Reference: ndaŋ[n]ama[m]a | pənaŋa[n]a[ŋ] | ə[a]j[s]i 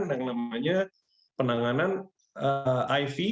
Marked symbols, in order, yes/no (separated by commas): yes, no, yes, no, yes, no